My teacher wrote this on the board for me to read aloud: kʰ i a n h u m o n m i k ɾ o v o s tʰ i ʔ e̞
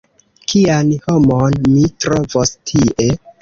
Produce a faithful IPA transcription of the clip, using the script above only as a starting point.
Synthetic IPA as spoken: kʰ i a n h o m o n m i t ɾ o v o s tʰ i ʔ e̞